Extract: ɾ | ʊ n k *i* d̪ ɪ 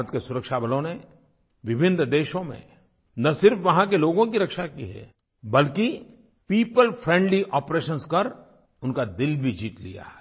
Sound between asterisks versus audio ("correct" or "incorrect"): incorrect